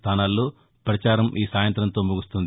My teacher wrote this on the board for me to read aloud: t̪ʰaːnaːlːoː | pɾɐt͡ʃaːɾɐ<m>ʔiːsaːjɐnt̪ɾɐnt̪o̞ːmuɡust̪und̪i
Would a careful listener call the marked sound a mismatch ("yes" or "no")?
no